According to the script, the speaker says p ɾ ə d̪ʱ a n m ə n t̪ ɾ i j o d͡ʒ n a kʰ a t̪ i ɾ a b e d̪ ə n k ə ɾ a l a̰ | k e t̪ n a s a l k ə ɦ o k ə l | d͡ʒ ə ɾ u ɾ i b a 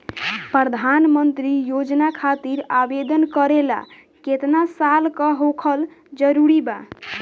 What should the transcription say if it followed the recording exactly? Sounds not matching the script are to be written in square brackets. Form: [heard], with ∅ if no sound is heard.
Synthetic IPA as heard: p ɾ ə d̪ʱ a n m ə n t̪ ɾ i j o d͡ʒ n a kʰ a t̪ i ɾ a b e d̪ ə n k ə ɾ [e] l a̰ | k e t̪ n a s a l k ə ɦ o [kʰ] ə l | d͡ʒ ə ɾ u ɾ i b a

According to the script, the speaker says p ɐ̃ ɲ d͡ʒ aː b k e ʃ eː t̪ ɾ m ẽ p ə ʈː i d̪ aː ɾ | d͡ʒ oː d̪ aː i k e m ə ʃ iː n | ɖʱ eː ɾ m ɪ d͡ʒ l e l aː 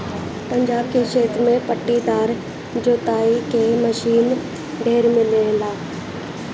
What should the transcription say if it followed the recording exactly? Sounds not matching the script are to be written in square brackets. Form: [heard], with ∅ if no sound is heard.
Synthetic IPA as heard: p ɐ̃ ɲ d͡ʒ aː b k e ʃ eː t̪ ɾ m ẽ p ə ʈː i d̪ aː ɾ | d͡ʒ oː [t̪] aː i k e m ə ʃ iː n | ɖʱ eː ɾ m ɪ [∅] l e l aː

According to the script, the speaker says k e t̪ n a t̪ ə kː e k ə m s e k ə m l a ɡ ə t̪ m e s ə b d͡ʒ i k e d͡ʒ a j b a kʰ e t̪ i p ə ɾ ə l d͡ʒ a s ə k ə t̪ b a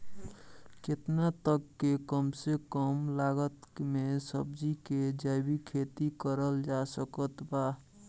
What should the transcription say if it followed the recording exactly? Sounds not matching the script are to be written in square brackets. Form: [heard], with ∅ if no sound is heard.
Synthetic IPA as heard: k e t̪ n a t̪ ə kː e k ə m s e k ə m l a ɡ ə t̪ m e s ə b d͡ʒ i k e d͡ʒ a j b [i] kʰ e t̪ i [k] ə ɾ ə l d͡ʒ a s ə k ə t̪ b a

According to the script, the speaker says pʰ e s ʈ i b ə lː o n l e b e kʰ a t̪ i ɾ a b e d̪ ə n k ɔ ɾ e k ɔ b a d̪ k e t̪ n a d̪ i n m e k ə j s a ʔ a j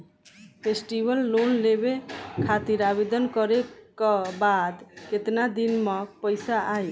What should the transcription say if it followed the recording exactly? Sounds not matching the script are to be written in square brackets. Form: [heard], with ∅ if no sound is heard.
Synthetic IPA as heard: pʰ e s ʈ i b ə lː o n l e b e kʰ a t̪ i ɾ a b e d̪ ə n k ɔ ɾ e k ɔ b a d̪ k e t̪ n a d̪ i n m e [p] ə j s a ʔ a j

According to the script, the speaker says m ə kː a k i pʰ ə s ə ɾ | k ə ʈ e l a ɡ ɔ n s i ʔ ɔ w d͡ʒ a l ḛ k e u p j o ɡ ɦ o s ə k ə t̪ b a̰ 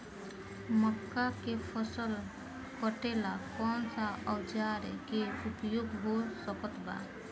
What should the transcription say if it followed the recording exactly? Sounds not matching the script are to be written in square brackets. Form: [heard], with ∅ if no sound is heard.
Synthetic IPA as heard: m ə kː a k [e] pʰ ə s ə [l] | k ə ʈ e l a [k] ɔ n s [a] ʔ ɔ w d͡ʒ a [ɾ] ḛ k e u p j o ɡ ɦ o s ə k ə t̪ b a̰

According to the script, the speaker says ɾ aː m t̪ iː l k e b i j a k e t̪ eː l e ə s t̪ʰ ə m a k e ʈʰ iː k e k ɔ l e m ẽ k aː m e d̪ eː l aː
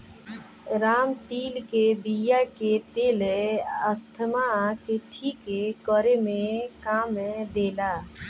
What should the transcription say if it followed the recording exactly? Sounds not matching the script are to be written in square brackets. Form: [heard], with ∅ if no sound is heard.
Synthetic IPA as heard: ɾ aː m t̪ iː l k e b i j a k e t̪ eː l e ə s t̪ʰ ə m a k e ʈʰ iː k e k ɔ [ɾ] e m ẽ k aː m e d̪ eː l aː

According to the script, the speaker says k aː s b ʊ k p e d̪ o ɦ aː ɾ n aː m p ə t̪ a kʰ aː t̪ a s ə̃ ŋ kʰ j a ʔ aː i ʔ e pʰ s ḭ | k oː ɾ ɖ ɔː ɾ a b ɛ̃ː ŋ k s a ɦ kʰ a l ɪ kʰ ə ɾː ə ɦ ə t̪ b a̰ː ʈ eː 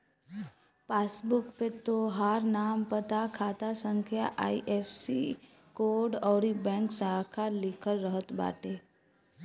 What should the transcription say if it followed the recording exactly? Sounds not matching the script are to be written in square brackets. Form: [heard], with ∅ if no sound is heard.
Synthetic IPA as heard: [p] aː s b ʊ k p e [t̪] o ɦ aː ɾ n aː m p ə t̪ a kʰ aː t̪ a s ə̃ ŋ kʰ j a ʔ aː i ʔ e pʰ s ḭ | k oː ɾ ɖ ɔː ɾ [i] b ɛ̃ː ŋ k s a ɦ kʰ a l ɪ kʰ ə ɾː ə ɦ ə t̪ b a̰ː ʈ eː

